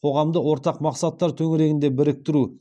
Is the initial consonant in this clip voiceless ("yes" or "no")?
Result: yes